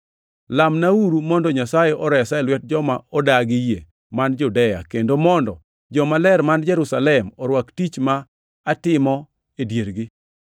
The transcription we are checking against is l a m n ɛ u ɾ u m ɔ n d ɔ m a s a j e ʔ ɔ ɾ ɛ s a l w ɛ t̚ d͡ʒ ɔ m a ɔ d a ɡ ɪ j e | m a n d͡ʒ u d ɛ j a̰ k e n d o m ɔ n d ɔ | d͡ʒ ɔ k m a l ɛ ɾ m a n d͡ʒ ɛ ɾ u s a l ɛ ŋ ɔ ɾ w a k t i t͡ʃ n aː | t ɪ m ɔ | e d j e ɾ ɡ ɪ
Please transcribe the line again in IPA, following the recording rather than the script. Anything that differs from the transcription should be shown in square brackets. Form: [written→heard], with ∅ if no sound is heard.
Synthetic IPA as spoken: l a m n [ɛ→a] u ɾ u m ɔ n d ɔ [m→ɲ] a s a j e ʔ ɔ ɾ ɛ s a l w ɛ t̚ d͡ʒ ɔ m a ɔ d a ɡ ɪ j e | m a n d͡ʒ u d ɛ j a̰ k e n d o m ɔ n d ɔ | d͡ʒ ɔ [k→∅] m a l ɛ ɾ m a n d͡ʒ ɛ ɾ u s a l ɛ [ŋ→m] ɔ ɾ w a k t i t͡ʃ [n→m] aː | t ɪ m ɔ | e d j e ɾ ɡ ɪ